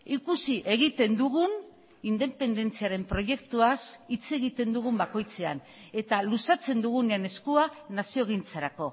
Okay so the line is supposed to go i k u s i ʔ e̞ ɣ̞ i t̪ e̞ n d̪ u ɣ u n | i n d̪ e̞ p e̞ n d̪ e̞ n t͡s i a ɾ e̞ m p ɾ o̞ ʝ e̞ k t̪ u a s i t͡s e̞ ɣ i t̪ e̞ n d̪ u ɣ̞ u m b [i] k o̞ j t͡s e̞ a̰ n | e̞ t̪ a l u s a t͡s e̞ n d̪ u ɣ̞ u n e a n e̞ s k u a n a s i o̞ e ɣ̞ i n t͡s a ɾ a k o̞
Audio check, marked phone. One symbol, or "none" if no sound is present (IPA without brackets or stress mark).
a